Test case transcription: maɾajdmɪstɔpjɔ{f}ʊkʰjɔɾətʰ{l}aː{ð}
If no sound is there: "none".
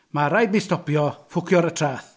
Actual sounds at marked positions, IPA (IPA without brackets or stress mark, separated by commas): f, r, θ